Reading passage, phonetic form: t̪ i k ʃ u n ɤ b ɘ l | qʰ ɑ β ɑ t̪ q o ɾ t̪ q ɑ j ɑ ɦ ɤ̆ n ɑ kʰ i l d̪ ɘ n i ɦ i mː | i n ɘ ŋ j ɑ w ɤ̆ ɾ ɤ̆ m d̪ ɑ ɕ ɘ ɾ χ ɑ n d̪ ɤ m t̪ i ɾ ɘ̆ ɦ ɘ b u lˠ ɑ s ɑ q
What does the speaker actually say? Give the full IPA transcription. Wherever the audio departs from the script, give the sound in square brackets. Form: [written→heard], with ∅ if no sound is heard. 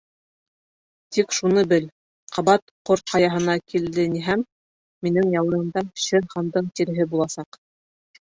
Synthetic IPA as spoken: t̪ i k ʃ u n ɤ b ɘ l | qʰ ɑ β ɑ t̪ q o ɾ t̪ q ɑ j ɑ ɦ ɤ̆ n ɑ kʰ i l d̪ ɘ n i ɦ [i→æ] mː | i n ɘ ŋ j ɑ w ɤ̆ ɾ ɤ̆ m d̪ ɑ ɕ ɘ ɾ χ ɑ n d̪ ɤ [m→ɴ] t̪ i ɾ ɘ̆ ɦ ɘ b u lˠ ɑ s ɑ q